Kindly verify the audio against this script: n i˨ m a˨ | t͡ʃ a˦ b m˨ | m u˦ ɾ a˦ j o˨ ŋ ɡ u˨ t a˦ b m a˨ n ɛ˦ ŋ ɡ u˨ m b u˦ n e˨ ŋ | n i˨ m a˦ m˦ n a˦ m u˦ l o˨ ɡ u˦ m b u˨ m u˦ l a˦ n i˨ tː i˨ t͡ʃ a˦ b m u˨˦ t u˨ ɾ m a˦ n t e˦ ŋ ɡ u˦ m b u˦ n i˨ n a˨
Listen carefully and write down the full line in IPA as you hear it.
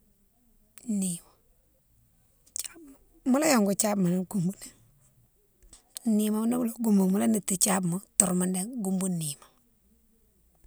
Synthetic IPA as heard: n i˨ m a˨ | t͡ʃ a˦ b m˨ | m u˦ l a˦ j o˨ ŋ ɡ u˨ t͡ʃ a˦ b m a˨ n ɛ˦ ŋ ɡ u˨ m b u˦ n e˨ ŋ | n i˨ m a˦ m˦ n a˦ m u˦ l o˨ ɡ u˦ m b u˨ m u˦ l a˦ n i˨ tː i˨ t͡ʃ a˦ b m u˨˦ t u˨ ɾ m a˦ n d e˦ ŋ ɡ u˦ m b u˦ n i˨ m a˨

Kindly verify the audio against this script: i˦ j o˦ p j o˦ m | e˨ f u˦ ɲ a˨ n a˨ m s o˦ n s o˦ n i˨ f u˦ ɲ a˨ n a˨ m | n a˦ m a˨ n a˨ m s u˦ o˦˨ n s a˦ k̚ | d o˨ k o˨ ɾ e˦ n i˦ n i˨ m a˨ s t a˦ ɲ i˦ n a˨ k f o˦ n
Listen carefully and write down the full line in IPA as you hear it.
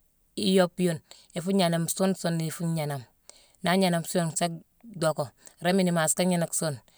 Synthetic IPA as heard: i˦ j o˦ p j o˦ n | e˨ f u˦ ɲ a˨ n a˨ m s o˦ n s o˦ n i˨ f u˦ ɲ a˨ n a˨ m | n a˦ ɲ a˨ n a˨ m s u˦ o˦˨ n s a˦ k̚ | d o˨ k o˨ ɾ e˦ m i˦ n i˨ m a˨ s k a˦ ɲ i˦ n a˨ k s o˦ n

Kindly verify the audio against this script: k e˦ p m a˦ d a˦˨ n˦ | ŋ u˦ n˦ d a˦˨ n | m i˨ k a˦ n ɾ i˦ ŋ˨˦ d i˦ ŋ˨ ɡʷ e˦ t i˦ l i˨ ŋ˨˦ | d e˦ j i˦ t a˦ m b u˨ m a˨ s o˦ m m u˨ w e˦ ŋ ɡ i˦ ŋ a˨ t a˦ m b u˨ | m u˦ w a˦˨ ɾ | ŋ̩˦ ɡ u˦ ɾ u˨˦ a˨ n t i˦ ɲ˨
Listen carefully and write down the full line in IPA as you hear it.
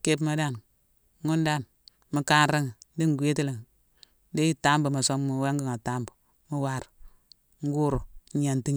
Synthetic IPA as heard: k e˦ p m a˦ d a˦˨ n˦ | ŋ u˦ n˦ d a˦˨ n | m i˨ k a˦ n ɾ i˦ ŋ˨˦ d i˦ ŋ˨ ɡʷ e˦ t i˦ l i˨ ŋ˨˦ | d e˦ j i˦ t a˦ m b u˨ m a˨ s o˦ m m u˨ w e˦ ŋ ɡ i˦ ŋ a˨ t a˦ m b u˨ | m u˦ w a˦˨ ɾ | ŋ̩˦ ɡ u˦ ɾ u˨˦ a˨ n t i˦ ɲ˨

